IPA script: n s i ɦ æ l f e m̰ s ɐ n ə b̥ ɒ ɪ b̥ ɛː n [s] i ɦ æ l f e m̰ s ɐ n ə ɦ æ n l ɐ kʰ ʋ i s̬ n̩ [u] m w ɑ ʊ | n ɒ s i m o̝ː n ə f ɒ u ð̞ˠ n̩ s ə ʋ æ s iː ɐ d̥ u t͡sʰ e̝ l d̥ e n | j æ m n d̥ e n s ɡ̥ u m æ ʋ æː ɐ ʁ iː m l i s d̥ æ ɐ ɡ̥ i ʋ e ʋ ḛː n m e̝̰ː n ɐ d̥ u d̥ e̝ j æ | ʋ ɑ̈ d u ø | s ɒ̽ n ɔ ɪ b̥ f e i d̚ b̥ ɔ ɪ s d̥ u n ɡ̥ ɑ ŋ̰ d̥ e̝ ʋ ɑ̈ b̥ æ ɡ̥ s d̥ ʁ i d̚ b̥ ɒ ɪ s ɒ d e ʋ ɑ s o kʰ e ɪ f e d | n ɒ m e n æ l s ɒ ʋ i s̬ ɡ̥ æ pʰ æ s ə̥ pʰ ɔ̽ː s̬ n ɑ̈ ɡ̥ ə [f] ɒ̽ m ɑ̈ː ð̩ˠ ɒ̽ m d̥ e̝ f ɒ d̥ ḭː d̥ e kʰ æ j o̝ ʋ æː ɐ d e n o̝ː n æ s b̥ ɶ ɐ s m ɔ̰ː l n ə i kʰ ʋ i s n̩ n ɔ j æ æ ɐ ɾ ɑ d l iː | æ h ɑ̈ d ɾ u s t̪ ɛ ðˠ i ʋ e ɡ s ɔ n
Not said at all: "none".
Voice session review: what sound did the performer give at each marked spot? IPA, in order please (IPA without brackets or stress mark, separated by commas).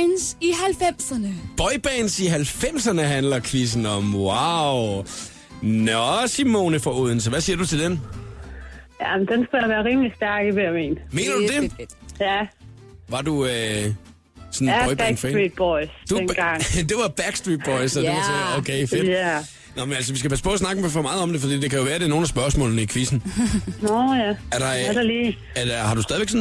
s, ɒ, f